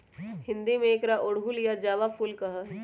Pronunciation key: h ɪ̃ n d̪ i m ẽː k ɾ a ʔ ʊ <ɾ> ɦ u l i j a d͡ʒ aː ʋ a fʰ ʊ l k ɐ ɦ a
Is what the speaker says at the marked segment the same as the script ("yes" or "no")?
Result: no